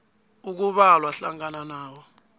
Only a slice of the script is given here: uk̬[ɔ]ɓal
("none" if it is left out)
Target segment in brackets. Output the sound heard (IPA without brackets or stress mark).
u